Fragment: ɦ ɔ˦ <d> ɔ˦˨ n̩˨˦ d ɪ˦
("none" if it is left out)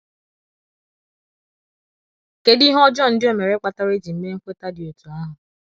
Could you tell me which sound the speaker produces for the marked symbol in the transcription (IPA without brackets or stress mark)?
d͡ʒ